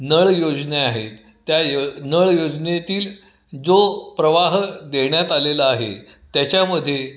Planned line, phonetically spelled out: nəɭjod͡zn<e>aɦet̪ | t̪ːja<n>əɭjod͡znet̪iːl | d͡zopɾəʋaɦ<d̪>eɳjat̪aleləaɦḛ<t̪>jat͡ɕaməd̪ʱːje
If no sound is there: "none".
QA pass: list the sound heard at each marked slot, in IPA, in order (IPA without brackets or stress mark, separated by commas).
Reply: e, n, d̪, t̪